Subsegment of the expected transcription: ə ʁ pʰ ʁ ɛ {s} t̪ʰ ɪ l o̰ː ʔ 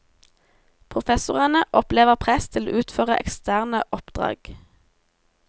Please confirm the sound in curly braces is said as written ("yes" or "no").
yes